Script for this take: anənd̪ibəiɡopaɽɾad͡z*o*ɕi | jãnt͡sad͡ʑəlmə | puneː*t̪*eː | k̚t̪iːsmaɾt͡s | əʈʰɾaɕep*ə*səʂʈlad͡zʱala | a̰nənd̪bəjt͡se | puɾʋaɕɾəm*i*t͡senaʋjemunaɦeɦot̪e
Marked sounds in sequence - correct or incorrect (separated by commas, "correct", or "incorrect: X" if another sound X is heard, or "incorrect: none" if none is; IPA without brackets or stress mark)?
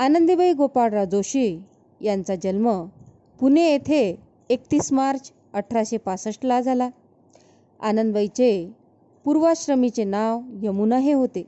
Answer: correct, incorrect: t̪ʰ, incorrect: a, correct